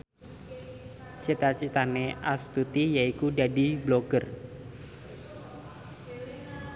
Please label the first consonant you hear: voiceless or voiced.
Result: voiceless